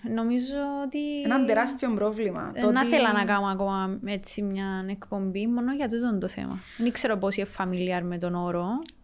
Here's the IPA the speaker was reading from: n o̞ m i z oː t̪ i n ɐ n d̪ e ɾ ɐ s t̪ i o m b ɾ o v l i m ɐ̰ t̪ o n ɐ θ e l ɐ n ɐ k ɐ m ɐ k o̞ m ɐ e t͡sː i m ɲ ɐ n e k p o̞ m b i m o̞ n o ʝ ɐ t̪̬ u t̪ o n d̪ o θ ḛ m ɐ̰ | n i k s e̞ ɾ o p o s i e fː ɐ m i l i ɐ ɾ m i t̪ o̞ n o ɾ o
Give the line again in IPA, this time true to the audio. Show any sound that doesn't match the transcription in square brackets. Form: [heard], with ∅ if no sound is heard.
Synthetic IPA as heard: n o̞ m i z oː t̪ i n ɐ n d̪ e ɾ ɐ s t̪ i o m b ɾ o v l i m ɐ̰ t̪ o n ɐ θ e l ɐ n ɐ k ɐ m ɐ k o̞ m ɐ e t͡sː i m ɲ ɐ n e k p o̞ m b i m o̞ n o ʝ ɐ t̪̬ u t̪ o n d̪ o θ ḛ m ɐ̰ | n i k s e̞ ɾ o p o s i e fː ɐ m i l i ɐ ɾ m [e] t̪ o̞ n o ɾ o